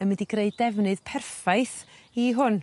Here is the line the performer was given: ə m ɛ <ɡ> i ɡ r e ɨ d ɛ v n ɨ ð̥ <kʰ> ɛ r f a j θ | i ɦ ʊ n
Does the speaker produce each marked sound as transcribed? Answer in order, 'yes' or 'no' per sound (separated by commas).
no, no